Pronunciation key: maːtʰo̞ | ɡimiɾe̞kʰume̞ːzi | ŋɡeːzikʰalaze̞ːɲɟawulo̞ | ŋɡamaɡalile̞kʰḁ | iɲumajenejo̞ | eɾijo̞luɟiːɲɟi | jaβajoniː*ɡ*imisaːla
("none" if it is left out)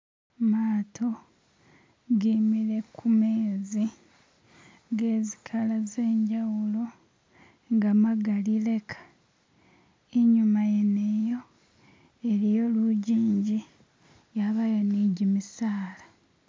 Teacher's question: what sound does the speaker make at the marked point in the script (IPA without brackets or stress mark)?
ɟ